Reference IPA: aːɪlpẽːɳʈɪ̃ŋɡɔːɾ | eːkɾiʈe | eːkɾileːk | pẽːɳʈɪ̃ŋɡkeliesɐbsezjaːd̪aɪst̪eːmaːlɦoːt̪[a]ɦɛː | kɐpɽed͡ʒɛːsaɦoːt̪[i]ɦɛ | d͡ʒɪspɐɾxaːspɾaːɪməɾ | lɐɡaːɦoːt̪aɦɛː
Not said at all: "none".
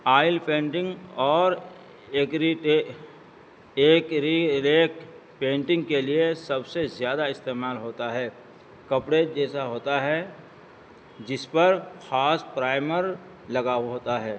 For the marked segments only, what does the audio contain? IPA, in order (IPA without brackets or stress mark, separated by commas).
a, a